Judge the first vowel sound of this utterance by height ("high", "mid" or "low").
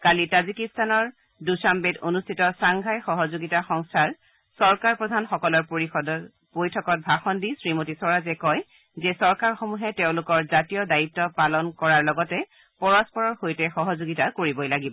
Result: low